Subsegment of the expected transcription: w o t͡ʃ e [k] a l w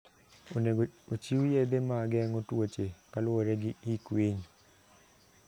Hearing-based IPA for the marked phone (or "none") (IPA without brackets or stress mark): k